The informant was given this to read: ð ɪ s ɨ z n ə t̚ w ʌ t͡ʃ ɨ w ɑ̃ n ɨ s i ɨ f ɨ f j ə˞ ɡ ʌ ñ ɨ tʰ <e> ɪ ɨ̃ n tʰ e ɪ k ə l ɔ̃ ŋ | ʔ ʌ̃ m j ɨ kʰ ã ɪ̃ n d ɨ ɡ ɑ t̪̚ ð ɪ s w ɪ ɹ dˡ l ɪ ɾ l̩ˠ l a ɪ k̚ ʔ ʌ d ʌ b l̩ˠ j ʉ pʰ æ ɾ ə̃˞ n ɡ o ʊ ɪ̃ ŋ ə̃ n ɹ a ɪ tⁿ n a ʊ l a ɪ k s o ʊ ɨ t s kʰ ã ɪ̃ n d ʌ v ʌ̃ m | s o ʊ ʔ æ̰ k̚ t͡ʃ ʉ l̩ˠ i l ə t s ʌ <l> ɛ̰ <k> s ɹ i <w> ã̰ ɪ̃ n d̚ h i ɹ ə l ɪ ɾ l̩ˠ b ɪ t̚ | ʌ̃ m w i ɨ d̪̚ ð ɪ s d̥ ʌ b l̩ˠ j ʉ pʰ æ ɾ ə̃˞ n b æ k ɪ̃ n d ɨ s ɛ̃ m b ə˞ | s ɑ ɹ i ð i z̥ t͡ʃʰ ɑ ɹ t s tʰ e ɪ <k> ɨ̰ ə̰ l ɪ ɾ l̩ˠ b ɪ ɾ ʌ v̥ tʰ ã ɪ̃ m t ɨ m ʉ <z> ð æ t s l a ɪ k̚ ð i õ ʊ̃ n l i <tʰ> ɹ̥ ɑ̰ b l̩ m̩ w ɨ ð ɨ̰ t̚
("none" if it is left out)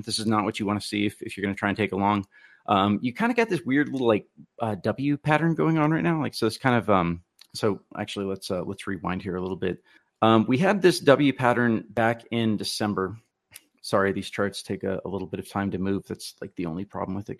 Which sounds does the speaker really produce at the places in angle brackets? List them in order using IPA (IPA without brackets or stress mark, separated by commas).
a, l, t, w, k, v, pʰ